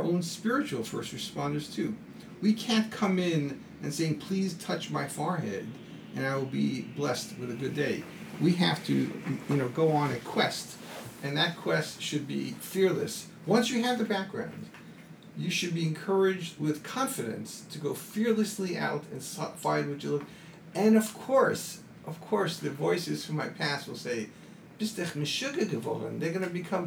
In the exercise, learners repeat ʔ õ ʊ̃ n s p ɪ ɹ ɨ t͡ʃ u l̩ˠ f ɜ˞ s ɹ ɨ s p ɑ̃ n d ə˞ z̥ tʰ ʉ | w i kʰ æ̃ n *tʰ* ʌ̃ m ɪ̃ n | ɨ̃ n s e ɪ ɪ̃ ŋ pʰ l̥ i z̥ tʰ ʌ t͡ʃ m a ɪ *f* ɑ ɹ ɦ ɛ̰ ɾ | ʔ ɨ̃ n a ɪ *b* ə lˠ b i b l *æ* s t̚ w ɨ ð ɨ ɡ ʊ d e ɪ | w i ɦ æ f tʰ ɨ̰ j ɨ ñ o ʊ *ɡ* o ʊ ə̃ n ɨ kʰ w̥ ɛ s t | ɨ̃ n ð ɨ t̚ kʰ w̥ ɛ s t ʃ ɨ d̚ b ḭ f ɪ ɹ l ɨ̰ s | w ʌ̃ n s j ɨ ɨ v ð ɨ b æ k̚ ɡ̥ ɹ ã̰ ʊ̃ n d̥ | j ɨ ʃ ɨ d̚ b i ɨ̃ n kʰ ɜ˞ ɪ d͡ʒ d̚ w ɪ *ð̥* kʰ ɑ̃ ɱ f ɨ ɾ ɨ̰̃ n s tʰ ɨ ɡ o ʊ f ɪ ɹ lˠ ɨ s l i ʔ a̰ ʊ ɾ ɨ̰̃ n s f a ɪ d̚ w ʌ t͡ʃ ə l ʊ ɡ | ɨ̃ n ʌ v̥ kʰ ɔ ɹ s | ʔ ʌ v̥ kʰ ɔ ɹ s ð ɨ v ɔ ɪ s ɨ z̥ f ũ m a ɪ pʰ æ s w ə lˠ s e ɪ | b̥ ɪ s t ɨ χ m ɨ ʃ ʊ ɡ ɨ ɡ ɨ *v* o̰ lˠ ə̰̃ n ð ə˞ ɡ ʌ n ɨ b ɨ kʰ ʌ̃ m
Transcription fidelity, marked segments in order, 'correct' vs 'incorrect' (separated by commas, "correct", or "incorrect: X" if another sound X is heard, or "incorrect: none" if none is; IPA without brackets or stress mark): incorrect: kʰ, correct, incorrect: w, incorrect: ɛ, correct, correct, correct